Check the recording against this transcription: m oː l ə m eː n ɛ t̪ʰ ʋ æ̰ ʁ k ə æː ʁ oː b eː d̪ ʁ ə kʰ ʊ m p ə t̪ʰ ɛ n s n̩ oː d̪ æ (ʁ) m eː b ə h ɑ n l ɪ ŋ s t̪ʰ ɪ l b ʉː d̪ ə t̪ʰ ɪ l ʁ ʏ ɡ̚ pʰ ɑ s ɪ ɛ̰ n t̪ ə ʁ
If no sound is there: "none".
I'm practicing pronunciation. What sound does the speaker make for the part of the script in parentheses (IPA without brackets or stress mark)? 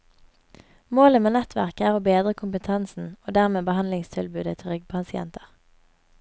ʁ